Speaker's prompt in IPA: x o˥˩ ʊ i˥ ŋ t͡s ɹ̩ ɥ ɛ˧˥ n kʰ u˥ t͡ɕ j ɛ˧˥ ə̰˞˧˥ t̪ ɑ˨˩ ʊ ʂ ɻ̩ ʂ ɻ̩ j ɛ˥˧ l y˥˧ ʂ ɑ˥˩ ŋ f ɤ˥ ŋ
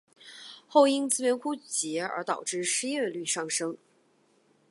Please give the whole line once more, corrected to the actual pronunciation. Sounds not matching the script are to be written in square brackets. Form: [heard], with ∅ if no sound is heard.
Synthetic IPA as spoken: x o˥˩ ʊ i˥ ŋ t͡s ɹ̩ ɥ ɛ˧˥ n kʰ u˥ t͡ɕ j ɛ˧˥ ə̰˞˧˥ t̪ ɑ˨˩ ʊ [ʈ͡ʂ] ɻ̩ ʂ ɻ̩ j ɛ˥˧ l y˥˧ ʂ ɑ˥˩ ŋ [ʂ] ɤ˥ ŋ